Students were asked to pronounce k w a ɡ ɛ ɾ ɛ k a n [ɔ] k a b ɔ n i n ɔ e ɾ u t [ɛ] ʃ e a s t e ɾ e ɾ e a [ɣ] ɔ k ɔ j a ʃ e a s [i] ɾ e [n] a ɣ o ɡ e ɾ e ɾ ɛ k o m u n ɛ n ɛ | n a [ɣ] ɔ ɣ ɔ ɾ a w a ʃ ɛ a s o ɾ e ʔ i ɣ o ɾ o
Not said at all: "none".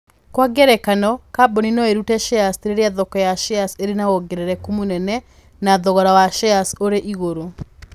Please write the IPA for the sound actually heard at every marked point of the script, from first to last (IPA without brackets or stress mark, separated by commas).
ɔ, ɛ, ð, e, n, ð